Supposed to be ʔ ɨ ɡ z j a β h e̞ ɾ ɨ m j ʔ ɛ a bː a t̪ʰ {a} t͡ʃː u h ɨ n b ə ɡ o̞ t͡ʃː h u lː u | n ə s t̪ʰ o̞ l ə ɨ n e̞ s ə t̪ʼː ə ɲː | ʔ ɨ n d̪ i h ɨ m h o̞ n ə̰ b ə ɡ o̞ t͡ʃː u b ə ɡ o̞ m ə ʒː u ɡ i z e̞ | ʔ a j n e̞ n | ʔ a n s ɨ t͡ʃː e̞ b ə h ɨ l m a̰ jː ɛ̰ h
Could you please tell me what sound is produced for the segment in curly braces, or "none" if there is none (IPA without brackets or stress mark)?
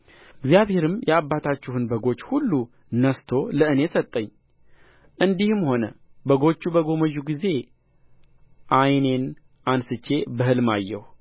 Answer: a